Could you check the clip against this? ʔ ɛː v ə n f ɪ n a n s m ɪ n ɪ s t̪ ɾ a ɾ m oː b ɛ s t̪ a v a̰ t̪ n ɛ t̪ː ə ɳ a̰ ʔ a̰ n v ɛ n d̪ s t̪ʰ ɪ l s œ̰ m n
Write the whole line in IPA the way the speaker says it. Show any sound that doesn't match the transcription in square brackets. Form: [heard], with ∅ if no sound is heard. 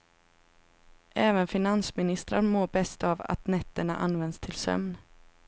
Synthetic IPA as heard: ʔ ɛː v ə n f ɪ n a n s m ɪ n ɪ s t̪ ɾ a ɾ m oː b ɛ s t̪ a v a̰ t̪ n ɛ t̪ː ə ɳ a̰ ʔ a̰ n v ɛ n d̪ s t̪ʰ ɪ l s œ̰ m n